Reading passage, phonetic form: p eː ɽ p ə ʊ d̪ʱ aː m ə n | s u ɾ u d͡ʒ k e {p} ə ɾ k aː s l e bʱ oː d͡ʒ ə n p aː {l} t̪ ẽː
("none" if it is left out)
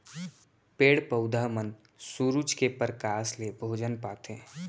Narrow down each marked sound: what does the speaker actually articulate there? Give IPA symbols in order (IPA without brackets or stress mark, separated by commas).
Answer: p, none